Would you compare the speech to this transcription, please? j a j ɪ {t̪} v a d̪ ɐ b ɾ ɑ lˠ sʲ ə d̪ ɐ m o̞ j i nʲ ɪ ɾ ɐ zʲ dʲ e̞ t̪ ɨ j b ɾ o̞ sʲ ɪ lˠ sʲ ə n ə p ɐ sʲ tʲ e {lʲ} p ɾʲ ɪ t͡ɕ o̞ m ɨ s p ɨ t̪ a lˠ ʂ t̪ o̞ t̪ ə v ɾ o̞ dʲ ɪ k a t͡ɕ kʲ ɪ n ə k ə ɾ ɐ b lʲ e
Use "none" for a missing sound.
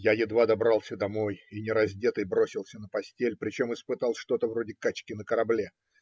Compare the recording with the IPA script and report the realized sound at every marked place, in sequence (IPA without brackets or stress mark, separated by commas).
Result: d̪, lʲ